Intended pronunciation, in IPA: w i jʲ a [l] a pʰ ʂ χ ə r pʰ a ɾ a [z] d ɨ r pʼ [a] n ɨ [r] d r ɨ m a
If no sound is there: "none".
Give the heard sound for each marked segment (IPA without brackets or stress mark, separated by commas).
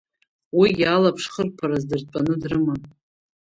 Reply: l, z, a, none